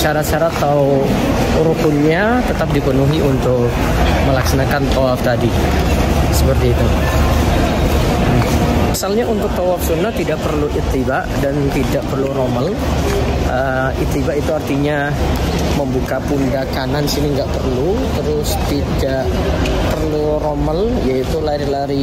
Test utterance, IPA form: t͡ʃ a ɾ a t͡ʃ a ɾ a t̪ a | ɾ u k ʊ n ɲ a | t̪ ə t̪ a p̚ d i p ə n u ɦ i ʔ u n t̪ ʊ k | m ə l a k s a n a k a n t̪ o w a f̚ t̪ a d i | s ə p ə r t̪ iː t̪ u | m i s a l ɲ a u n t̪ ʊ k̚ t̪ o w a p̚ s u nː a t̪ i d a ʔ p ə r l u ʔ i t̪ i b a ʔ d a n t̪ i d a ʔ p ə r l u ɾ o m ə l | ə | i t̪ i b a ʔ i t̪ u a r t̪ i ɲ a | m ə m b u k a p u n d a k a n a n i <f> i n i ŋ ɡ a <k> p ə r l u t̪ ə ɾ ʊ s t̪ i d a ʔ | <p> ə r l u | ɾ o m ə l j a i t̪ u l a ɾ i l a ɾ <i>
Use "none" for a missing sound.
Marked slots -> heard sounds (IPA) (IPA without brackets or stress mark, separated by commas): s, ʔ, p, i